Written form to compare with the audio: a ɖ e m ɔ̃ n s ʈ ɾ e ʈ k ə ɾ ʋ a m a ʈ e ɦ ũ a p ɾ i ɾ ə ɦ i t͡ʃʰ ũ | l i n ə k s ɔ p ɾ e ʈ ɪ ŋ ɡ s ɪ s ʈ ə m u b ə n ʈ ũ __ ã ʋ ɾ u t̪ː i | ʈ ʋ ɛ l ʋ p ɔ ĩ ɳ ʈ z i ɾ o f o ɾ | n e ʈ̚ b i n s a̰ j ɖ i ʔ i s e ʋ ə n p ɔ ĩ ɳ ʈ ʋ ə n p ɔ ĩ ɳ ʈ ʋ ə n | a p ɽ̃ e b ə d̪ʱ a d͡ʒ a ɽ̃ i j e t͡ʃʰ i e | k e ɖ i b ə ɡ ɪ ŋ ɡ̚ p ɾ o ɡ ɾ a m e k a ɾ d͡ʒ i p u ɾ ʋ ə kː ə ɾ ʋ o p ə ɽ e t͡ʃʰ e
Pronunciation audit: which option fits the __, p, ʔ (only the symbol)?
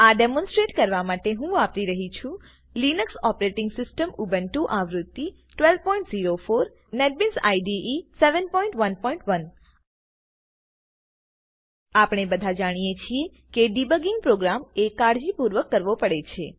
ʔ